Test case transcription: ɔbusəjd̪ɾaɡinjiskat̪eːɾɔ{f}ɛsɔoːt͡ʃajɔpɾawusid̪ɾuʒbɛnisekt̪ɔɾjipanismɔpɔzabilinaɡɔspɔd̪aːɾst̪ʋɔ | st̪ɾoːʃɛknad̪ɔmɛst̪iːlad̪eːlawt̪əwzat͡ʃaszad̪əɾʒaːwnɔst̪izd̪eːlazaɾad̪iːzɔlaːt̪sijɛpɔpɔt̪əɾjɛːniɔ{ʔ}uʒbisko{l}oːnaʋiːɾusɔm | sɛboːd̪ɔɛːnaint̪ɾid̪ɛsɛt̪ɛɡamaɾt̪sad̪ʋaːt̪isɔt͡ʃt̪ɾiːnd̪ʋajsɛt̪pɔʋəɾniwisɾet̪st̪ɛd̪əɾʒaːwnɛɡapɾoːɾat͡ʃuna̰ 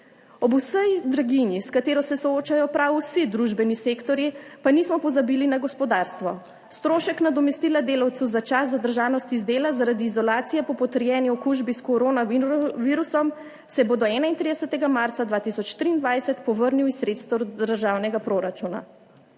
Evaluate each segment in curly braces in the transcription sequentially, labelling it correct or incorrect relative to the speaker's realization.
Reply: incorrect: s, incorrect: k, incorrect: ɾ

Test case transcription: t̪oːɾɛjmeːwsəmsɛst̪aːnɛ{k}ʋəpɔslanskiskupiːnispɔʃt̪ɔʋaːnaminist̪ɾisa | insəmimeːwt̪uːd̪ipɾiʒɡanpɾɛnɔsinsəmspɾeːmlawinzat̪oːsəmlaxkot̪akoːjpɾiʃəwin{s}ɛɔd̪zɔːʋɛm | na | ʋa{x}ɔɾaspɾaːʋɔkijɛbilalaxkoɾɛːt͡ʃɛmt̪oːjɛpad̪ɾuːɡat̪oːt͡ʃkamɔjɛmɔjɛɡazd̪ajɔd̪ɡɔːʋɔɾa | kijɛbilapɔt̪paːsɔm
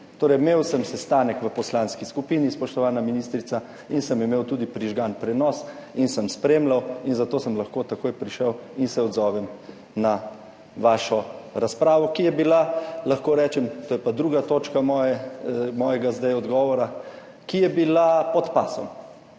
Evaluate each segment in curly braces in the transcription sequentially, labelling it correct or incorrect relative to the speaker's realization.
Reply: correct, correct, incorrect: ʃ

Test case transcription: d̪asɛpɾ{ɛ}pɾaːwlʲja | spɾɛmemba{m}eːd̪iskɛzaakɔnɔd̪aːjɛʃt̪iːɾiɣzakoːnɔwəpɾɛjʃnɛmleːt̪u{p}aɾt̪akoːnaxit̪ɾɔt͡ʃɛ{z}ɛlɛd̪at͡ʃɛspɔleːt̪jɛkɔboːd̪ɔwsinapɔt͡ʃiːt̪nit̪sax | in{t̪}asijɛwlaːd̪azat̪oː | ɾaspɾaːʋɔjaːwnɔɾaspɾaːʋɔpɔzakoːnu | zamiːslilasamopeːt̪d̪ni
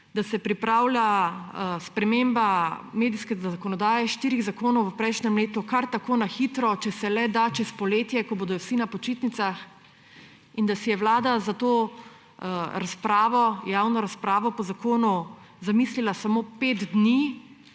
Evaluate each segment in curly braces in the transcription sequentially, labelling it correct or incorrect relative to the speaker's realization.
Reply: incorrect: i, correct, incorrect: k, incorrect: s, incorrect: d̪

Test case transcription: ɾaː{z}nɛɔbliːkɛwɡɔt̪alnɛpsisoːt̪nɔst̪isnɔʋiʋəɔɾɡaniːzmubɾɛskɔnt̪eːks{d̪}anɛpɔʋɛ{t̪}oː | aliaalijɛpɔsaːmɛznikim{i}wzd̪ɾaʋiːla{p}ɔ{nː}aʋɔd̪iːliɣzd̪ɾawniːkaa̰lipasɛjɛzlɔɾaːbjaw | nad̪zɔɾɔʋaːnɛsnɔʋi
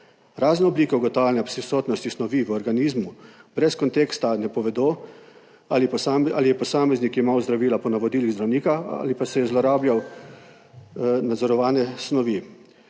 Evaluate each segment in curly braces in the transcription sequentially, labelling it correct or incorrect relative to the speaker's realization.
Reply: correct, incorrect: t̪, incorrect: d̪, incorrect: a, correct, incorrect: n

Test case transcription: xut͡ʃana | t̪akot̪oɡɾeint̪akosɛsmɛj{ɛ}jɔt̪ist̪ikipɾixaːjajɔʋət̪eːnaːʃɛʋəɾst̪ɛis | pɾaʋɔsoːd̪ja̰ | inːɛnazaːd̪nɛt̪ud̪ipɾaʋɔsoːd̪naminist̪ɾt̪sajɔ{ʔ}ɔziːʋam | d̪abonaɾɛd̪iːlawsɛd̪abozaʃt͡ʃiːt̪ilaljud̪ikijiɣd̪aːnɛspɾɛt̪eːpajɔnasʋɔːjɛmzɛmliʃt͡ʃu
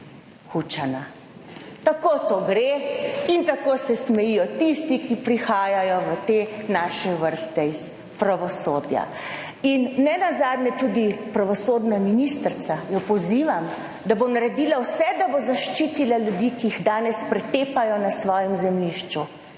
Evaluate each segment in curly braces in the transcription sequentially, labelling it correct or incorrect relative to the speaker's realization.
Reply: incorrect: i, incorrect: p

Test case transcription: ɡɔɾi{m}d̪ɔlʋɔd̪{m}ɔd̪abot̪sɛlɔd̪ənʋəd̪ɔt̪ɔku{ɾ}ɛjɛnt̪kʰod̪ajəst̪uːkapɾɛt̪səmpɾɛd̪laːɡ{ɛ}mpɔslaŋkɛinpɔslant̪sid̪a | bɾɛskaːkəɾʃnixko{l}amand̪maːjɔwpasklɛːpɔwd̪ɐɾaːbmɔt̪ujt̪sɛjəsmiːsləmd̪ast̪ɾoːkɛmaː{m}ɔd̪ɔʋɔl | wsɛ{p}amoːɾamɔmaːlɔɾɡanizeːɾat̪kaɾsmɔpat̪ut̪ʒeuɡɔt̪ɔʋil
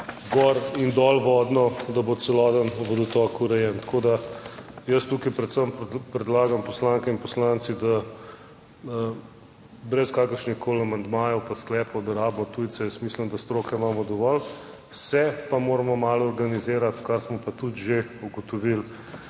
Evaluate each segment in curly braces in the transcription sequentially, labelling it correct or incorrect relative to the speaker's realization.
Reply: incorrect: n, incorrect: n, correct, incorrect: a, correct, correct, correct

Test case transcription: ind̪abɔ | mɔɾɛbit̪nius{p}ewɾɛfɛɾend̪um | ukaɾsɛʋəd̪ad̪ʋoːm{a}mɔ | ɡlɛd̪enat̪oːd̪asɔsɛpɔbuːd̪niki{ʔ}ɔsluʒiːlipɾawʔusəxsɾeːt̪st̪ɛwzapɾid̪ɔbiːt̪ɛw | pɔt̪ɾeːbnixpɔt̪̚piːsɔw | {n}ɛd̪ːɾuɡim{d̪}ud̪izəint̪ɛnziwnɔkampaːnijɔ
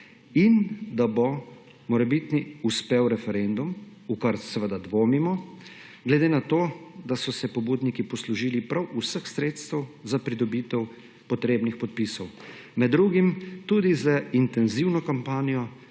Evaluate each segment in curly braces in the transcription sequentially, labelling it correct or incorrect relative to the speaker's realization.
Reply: correct, incorrect: i, incorrect: p, incorrect: m, incorrect: t̪

